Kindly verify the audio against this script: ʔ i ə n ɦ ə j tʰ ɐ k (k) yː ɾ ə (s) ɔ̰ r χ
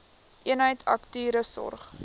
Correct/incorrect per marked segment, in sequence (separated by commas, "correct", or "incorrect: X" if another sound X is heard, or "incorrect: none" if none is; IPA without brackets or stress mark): incorrect: t, correct